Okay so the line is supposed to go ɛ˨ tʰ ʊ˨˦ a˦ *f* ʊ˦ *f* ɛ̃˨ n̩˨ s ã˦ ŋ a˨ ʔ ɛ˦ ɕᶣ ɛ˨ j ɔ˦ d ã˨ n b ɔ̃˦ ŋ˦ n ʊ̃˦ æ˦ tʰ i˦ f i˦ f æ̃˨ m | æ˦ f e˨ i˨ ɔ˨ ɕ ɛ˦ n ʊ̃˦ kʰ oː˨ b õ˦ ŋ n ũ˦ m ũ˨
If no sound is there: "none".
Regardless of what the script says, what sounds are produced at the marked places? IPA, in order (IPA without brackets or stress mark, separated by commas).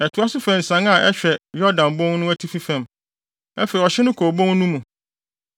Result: s, f